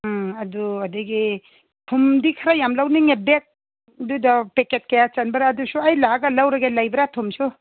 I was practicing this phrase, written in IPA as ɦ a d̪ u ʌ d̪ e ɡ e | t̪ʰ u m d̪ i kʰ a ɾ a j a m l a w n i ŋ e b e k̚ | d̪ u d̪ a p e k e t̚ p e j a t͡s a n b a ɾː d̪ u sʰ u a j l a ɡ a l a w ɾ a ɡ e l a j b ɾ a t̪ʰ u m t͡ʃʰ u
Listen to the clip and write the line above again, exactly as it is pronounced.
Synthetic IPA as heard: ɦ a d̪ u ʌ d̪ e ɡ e | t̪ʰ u m d̪ i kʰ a ɾ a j a m l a w n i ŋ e b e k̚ | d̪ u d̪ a p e k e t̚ k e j a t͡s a n b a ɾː d̪ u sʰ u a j l a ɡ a l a w ɾ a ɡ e l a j b ɾ a t̪ʰ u m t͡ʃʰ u